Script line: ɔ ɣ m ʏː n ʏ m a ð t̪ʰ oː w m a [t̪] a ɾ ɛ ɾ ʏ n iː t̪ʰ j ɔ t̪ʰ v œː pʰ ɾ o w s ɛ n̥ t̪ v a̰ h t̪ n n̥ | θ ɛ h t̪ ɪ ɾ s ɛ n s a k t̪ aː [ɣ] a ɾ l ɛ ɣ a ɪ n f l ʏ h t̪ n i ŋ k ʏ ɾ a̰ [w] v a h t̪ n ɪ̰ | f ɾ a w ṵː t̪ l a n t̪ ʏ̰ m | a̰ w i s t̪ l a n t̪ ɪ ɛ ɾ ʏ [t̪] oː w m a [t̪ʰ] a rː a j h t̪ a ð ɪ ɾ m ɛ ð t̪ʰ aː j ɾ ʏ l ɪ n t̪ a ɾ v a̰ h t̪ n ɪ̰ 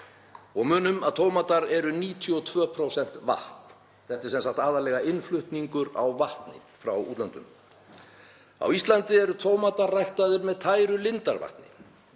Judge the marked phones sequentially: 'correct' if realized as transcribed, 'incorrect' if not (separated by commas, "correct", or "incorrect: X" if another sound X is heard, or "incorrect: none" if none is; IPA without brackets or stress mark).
correct, incorrect: ð, correct, incorrect: t̪ʰ, incorrect: t̪